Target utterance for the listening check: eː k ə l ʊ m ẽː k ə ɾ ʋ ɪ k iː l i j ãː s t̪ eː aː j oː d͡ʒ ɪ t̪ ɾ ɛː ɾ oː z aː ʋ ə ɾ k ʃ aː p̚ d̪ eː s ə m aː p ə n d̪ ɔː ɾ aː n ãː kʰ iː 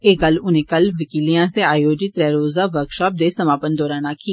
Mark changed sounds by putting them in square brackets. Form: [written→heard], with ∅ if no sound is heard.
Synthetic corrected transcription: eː k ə l ʊ [m→n] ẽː k ə [ɾ→l] ʋ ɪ k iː l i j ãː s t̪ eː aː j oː d͡ʒ ɪ t̪ ɾ ɛː ɾ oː z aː ʋ ə ɾ k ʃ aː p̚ d̪ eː s ə m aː p ə n d̪ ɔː ɾ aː n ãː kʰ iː